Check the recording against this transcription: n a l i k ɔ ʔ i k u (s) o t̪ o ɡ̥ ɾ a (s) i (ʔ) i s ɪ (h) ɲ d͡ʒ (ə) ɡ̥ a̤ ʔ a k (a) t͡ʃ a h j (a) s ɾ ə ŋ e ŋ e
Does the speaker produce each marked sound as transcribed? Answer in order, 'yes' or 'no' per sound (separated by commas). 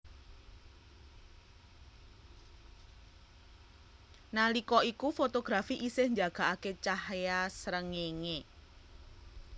no, no, yes, yes, no, no, yes